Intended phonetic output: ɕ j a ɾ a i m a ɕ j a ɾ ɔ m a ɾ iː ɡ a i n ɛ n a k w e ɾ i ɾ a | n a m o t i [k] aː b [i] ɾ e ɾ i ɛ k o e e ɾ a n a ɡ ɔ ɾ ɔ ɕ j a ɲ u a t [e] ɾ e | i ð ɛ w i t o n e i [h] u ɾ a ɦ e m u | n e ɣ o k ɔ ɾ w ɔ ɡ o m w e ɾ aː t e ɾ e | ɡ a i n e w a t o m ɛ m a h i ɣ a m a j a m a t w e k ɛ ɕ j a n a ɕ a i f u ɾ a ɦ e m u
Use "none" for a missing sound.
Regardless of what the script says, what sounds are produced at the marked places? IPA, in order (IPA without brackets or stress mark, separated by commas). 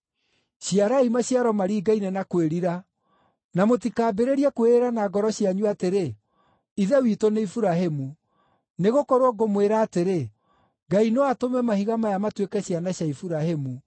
k, e, e, f